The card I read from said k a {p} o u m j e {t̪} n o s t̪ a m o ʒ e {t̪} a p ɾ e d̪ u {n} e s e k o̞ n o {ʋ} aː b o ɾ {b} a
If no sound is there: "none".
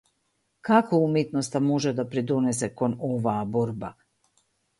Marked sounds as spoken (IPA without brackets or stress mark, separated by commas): k, t̪, d̪, n, ʋ, b